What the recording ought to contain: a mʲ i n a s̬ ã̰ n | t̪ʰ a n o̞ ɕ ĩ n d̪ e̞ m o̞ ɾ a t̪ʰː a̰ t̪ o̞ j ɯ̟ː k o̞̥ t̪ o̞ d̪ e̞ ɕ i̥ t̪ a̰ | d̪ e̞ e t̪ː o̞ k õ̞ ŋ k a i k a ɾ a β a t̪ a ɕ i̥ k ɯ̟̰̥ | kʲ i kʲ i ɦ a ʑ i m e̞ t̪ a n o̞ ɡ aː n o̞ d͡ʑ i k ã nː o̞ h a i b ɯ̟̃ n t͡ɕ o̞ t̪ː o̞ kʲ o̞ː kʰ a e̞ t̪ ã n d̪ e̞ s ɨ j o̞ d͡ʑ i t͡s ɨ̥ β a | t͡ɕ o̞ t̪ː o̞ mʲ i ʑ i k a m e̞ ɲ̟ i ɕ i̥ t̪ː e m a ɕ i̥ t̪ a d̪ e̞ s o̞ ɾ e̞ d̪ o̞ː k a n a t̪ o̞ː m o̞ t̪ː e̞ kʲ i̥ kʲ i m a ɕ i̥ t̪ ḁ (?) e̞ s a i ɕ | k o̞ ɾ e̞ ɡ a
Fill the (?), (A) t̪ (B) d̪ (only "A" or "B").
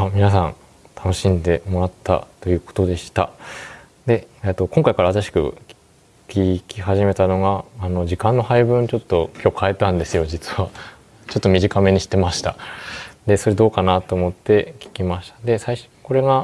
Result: B